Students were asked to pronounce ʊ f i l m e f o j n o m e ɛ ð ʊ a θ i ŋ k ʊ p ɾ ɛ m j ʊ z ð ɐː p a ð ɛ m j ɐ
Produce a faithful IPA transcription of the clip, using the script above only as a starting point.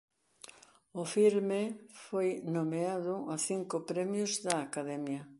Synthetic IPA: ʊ f i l m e f o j n o m e a ð ʊ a θ i ŋ k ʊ p ɾ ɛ m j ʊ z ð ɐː k a ð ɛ m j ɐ